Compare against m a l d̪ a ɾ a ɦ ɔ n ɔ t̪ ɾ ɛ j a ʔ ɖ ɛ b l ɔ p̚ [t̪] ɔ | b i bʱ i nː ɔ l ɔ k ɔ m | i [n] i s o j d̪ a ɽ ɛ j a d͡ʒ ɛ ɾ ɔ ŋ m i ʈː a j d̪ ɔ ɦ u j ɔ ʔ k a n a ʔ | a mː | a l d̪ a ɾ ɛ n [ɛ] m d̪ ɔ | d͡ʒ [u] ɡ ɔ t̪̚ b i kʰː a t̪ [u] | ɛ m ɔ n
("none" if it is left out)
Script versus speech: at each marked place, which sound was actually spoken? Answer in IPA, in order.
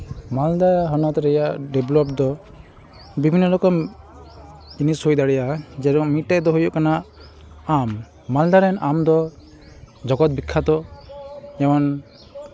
d̪, n, a, ɔ, ɔ

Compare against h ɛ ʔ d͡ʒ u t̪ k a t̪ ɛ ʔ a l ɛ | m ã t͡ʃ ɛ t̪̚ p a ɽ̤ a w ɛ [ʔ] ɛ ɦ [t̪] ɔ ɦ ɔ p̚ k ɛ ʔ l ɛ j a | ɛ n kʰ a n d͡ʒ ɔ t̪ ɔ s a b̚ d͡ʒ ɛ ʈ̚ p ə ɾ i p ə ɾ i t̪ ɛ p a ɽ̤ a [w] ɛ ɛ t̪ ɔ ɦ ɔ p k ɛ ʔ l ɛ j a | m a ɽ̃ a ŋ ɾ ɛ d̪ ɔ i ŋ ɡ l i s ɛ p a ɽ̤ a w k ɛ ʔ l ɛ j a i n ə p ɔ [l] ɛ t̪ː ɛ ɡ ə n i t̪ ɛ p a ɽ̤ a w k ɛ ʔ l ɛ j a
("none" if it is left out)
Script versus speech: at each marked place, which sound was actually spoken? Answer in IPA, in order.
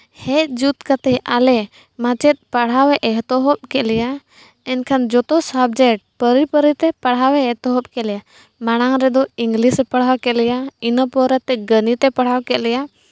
ʔ, t̪, w, ɾ

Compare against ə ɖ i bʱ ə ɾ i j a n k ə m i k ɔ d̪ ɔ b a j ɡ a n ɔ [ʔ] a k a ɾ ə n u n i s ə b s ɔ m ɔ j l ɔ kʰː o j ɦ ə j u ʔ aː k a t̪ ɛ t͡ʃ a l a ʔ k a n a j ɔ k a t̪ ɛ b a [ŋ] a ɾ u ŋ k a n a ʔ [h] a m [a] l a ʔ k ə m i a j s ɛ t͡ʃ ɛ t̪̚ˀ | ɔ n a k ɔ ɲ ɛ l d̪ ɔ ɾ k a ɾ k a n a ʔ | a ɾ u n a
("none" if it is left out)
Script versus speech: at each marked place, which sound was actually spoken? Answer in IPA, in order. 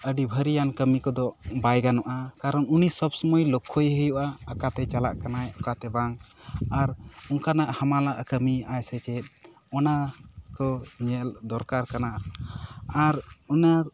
ʔ, ŋ, h, a

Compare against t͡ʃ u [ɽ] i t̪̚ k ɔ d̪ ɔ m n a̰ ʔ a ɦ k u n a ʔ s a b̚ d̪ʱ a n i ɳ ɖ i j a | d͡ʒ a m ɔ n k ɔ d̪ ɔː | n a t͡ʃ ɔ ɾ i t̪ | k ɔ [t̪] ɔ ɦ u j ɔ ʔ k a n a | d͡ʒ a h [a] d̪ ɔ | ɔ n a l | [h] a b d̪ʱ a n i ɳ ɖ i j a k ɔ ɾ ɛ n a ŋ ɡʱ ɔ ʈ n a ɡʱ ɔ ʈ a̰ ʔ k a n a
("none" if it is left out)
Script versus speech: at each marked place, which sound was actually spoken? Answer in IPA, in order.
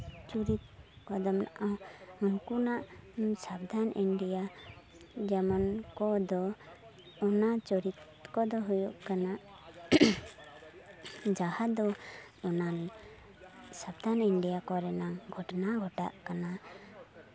ɾ, d̪, a, s

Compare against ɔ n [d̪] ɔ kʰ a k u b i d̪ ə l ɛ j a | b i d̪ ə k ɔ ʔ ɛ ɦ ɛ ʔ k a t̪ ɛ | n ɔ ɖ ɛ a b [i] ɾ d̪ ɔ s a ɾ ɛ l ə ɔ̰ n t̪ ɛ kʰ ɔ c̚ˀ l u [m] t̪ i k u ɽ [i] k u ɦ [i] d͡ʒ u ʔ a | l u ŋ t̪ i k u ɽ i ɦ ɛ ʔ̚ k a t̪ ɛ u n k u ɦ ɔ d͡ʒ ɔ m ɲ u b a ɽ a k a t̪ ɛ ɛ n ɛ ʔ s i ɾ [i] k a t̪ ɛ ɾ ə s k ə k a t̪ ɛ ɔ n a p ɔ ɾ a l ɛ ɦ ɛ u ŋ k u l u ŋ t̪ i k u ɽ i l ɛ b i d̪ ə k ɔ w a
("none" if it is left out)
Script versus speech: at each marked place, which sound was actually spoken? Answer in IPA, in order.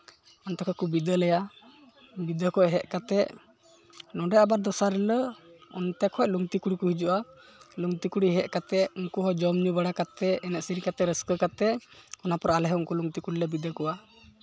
t̪, a, ŋ, i, i, i

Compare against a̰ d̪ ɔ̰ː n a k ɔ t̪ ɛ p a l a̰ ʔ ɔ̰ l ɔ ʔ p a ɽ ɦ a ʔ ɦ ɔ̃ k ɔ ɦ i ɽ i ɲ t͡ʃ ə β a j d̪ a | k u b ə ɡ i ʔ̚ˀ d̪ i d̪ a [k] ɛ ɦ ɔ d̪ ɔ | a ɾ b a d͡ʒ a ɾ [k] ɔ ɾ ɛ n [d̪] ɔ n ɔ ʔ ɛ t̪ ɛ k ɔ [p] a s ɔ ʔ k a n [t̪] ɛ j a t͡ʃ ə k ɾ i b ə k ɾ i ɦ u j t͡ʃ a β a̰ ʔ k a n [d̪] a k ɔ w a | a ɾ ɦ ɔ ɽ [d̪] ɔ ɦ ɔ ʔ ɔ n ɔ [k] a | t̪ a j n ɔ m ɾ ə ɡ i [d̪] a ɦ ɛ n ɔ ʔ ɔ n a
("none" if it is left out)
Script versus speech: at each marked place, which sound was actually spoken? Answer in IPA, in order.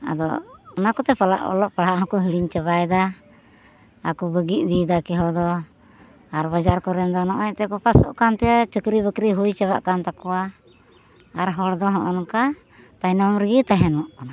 k, k, d̪, p, t̪, t̪, d̪, k, t̪

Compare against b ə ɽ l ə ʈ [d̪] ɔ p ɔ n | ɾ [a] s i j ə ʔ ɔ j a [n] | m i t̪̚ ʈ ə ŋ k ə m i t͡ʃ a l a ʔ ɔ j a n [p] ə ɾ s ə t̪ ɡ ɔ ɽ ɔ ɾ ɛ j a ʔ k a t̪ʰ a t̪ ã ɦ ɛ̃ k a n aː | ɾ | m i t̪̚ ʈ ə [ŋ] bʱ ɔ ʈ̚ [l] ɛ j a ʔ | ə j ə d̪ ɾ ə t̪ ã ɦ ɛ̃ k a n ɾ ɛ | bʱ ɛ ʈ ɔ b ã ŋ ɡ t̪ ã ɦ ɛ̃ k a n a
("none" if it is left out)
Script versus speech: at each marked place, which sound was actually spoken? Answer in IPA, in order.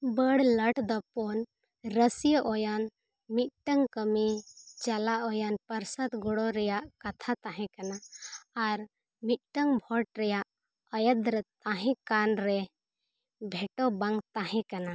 d̪, ə, n, p, ŋ, ɾ

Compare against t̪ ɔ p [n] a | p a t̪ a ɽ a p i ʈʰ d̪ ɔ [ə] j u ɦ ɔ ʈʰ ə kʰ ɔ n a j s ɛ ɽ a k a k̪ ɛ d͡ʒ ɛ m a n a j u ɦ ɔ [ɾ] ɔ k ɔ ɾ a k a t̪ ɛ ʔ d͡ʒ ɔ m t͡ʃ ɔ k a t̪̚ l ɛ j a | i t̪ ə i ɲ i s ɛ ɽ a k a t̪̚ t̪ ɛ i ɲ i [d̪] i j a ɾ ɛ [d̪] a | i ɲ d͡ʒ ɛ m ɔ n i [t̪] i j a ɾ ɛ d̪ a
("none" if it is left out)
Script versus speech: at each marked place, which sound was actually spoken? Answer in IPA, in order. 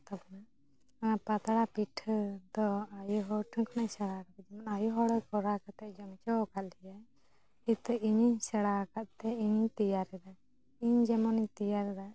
n, a, ɽ, t̪, d̪, t̪

